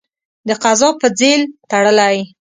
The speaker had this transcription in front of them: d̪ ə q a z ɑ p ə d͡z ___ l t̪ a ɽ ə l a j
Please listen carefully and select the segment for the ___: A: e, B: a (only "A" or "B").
A